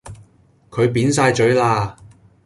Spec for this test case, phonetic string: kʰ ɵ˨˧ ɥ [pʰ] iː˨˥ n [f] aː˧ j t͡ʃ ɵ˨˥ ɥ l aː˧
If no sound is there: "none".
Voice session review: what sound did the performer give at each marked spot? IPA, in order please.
p, s

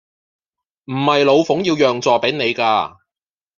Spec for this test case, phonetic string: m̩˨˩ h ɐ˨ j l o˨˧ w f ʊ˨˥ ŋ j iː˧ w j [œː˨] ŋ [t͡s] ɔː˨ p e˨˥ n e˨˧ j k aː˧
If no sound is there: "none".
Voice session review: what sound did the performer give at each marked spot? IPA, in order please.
œː˨, t͡s

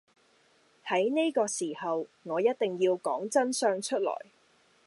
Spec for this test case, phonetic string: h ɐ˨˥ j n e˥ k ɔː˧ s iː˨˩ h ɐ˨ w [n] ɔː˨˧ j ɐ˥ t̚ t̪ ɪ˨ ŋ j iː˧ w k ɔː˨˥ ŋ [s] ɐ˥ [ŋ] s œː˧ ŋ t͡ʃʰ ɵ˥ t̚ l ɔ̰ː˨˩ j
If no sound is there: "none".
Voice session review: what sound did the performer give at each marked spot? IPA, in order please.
ŋ, t͡s, n

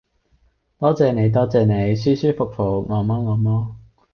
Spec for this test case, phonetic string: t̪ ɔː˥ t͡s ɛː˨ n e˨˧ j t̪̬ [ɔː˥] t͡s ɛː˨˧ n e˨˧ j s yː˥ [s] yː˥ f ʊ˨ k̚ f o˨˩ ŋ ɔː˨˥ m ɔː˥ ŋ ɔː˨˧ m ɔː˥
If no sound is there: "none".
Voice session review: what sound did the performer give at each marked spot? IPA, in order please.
ɔː˥, s

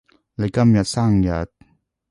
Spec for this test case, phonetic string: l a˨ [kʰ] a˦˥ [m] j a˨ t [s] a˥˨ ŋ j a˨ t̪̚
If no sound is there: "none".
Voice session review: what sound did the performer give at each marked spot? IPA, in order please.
k, m, s

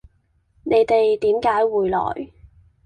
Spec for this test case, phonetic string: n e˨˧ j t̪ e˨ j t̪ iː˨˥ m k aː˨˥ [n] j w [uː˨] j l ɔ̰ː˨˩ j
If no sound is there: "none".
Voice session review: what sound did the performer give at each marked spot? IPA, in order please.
none, uː˨

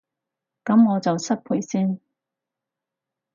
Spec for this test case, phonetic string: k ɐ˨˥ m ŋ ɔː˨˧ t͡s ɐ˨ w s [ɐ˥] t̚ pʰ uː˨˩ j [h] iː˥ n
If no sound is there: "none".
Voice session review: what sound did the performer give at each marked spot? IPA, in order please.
ɐ˥, s

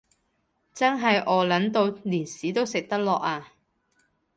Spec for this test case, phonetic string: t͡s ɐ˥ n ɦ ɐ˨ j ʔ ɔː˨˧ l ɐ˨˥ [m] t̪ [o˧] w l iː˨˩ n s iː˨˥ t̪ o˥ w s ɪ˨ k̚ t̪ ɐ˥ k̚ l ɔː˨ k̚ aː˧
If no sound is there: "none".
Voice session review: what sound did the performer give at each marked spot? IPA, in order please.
n, o˧

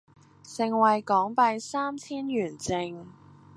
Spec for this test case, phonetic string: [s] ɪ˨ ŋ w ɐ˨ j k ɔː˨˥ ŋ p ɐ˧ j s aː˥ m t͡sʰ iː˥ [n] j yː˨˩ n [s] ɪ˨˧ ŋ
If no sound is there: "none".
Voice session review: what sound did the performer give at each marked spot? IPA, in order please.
s, n, t͡s

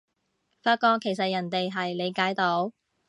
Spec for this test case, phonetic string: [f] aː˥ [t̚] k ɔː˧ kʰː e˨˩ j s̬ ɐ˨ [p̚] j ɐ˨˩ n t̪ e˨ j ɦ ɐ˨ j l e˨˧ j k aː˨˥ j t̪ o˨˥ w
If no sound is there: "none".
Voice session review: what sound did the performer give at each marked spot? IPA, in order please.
f, t̚, t̚

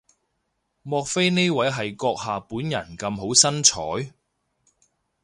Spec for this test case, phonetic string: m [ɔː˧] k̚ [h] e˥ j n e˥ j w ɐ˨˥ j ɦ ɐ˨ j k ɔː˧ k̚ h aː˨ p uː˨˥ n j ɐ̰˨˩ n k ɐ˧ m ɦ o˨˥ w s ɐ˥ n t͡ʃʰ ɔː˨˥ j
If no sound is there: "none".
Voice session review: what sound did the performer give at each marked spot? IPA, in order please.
ɔː˧, f

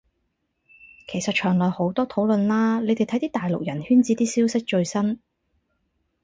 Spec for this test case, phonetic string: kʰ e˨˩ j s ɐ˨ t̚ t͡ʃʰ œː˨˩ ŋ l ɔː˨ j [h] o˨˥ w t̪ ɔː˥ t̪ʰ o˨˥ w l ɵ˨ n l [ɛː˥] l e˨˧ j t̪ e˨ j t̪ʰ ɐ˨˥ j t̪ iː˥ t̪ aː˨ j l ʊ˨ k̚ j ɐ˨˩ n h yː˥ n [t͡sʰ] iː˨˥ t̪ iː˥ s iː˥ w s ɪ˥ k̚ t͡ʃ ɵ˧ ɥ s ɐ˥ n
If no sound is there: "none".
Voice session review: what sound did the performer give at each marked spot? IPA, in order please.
h, aː˥, t͡s

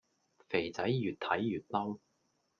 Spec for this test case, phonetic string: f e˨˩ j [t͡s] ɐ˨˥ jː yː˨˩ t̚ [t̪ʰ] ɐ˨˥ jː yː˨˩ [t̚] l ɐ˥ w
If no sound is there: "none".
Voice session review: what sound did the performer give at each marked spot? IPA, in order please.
t͡s, t̪ʰ, t̚

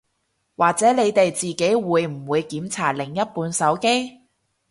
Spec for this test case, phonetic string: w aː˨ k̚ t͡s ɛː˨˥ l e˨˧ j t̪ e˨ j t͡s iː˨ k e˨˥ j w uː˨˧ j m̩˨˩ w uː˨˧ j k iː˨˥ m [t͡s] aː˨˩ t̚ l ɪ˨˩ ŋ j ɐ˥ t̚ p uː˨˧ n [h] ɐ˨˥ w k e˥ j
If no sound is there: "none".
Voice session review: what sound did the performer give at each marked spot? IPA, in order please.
t͡sʰ, s

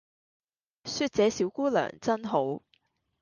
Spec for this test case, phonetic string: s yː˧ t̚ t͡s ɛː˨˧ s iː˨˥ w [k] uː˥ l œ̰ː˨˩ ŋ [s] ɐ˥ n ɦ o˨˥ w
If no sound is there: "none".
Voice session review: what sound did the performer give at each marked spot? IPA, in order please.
k, t͡s

